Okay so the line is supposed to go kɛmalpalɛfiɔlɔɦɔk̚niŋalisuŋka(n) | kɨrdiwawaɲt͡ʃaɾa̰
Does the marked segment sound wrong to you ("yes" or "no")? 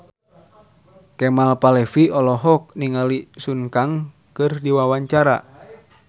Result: yes